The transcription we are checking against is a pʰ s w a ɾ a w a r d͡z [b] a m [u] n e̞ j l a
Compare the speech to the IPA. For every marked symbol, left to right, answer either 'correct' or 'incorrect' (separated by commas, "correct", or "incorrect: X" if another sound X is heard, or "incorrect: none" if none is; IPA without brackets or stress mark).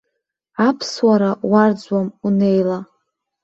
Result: incorrect: w, correct